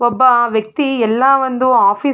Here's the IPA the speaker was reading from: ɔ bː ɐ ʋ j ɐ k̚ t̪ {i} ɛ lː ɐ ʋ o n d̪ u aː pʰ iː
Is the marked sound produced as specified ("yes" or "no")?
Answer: yes